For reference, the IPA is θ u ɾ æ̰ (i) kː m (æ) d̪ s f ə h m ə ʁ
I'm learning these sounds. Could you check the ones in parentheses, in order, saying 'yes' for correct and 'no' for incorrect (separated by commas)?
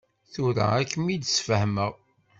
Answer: no, no